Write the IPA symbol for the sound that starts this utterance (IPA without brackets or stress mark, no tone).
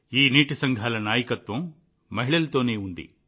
iː